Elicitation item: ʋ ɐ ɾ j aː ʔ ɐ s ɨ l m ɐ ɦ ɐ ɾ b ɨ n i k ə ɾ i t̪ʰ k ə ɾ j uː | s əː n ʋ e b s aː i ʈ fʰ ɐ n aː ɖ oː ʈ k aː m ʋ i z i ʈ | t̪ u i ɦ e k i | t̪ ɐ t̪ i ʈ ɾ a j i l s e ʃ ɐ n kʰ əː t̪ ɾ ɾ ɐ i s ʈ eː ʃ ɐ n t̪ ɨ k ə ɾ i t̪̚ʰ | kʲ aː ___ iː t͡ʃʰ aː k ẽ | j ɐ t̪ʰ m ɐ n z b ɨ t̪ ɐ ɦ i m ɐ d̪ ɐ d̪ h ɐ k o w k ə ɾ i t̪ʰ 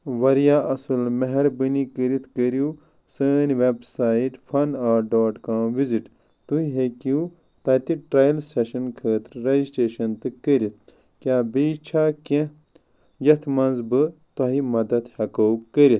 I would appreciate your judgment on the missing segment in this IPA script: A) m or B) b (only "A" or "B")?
B